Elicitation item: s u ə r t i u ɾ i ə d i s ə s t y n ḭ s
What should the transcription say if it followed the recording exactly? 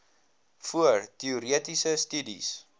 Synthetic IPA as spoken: f u ə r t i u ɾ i ə t i s ə s t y d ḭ s